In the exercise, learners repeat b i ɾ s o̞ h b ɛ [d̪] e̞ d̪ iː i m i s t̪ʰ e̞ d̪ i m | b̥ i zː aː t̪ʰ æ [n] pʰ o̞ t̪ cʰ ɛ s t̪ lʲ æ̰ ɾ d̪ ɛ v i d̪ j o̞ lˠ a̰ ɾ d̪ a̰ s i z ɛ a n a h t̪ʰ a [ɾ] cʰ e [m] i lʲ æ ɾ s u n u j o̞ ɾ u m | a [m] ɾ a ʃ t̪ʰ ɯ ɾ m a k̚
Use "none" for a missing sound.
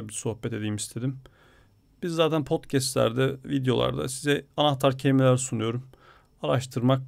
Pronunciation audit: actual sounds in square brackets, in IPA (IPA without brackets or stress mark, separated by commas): t̪, n, ɾ, m, none